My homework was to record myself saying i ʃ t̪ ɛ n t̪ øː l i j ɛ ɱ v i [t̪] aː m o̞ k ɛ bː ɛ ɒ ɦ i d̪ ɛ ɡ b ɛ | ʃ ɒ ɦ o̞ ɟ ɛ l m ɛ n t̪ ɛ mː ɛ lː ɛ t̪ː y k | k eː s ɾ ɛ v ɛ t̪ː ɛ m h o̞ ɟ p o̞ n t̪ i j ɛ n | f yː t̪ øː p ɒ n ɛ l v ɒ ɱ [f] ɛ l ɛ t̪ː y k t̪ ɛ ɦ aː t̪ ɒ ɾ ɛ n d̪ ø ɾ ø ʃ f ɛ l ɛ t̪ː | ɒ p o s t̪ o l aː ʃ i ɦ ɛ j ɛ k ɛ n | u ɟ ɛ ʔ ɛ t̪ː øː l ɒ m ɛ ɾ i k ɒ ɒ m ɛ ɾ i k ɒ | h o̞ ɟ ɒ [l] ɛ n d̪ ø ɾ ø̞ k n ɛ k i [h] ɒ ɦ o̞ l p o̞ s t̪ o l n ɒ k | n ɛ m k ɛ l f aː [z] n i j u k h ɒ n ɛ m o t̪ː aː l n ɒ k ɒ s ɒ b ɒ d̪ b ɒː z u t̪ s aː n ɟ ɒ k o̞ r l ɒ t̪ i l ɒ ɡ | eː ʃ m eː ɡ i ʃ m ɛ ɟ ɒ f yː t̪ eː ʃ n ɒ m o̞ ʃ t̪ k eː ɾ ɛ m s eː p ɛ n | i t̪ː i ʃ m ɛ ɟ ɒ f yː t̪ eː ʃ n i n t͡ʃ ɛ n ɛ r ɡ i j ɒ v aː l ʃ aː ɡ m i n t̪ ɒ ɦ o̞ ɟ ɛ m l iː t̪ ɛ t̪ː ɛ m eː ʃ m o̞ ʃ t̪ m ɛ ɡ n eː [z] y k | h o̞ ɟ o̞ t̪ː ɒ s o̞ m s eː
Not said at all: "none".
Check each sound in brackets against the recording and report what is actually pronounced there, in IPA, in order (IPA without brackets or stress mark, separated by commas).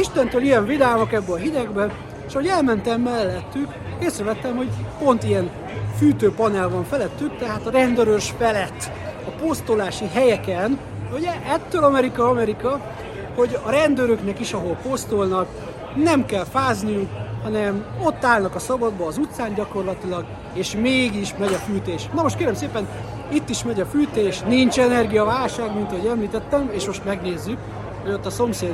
d̪, f, ɾ, ʃ, z, zː